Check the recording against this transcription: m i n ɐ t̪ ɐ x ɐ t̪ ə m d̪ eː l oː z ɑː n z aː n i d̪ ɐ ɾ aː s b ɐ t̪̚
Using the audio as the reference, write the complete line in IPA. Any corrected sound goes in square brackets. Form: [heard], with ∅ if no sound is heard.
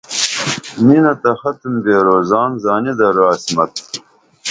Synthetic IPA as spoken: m i n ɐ t̪ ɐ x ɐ t̪ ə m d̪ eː [ɾ] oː z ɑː n z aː n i d̪ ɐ ɾ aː s [m] ɐ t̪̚